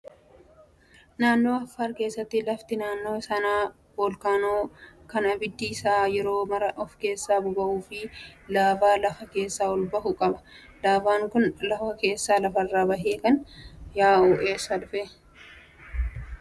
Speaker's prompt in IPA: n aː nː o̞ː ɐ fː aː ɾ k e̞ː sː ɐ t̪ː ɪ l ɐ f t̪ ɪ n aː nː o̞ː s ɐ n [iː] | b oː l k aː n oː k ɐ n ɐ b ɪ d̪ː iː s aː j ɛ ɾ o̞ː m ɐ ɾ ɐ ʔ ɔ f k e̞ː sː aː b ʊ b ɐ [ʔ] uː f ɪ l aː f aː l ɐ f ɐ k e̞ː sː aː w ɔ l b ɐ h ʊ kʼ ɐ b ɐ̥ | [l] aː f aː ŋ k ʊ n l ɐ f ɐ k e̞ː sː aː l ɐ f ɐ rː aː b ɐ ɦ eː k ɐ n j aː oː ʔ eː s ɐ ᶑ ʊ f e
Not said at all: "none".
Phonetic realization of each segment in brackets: aː, ʔ, l

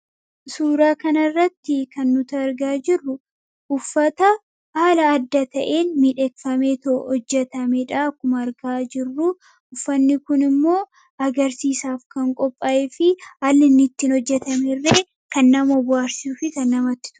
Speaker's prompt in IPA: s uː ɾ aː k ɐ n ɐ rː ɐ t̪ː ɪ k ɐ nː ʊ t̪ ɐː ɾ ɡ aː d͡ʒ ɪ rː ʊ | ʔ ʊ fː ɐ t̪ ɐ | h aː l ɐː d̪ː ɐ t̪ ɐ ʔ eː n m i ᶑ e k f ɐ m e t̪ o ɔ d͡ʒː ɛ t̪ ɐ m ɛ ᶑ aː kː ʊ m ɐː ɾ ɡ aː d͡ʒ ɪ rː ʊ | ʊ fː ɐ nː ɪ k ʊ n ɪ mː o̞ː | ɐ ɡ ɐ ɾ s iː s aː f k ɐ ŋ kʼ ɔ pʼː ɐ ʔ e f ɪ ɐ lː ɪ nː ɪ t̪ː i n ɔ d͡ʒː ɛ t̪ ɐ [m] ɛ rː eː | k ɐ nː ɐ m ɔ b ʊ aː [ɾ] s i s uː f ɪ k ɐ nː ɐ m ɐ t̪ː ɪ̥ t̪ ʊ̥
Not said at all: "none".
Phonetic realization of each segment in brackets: m, ɾ

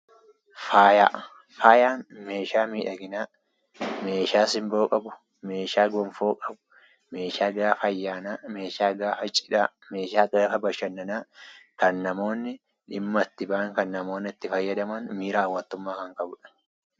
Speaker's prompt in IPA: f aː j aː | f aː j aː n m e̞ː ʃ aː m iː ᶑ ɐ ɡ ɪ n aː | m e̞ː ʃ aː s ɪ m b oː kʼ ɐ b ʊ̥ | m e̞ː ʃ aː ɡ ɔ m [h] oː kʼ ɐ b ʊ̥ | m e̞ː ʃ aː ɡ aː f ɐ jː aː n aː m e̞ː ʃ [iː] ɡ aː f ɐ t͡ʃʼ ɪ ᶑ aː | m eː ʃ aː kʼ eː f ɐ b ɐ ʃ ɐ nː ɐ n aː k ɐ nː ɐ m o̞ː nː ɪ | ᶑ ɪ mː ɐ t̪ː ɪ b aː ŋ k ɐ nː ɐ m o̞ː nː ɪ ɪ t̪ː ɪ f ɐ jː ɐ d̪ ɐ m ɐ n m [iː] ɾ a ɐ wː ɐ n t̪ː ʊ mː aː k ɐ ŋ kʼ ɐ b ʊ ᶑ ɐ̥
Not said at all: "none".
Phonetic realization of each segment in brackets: f, aː, iː

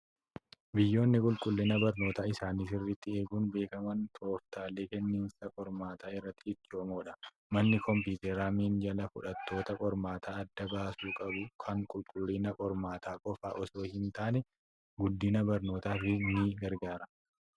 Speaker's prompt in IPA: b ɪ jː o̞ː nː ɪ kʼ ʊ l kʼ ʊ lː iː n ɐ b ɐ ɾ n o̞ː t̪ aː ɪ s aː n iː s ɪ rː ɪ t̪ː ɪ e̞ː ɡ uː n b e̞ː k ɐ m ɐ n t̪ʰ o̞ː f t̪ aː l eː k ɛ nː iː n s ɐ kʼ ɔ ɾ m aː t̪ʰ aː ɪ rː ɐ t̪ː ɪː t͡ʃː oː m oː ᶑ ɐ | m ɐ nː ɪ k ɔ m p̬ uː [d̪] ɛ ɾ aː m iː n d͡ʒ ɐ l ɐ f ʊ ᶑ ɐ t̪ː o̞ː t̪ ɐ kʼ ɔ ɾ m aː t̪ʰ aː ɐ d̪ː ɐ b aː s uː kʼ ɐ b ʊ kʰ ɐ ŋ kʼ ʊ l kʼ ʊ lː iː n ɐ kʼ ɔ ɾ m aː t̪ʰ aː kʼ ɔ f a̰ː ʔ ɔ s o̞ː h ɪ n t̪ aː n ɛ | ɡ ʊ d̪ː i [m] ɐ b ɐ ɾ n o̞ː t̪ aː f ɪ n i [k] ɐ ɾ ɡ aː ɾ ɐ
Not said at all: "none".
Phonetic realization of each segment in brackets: t̪, n, ɡ

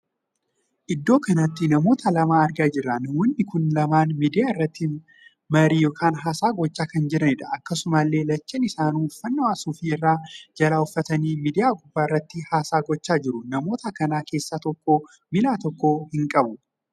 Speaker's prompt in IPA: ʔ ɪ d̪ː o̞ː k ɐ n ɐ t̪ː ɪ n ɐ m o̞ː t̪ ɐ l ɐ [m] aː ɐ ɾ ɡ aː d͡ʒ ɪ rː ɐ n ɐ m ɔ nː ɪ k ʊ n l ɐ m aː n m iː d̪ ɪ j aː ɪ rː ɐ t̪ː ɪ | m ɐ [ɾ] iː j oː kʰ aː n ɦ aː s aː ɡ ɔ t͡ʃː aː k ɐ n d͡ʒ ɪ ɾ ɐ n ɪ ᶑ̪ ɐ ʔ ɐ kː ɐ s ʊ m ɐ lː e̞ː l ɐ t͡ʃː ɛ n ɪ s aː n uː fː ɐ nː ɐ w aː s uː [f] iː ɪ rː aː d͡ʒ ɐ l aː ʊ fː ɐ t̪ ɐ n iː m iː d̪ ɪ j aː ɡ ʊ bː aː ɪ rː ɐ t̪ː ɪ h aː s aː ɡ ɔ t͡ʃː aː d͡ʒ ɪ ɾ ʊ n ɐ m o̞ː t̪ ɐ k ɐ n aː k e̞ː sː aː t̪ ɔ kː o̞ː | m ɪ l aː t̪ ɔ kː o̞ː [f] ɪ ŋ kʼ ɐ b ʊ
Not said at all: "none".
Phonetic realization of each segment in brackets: m, ɾ, f, h

